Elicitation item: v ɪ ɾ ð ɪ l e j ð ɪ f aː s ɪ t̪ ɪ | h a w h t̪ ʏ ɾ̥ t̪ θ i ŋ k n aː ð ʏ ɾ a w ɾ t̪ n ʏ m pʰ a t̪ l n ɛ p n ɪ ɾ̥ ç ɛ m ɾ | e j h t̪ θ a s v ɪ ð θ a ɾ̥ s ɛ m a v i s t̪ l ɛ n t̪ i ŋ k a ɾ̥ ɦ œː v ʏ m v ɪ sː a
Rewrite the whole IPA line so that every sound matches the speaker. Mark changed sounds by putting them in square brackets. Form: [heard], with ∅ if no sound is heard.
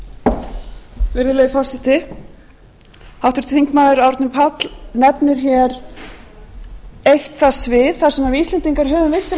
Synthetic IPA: v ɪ ɾ ð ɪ l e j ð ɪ f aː s ɪ t̪ ɪ | h a w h t̪ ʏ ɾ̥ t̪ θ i ŋ k [m] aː ð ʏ ɾ a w ɾ t̪ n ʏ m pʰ a t̪ l n ɛ p n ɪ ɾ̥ ç ɛ [∅] ɾ | e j h t̪ θ a s v ɪ ð θ a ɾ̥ s ɛ m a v i s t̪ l ɛ n t̪ i ŋ k a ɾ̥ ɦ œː v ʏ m v ɪ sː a